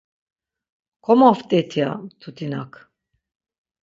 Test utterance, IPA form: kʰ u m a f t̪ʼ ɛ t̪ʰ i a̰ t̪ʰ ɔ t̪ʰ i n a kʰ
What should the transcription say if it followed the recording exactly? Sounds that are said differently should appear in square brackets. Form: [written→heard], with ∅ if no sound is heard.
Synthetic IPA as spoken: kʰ [u→ɔ] m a f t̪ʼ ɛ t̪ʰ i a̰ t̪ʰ [ɔ→u] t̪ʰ i n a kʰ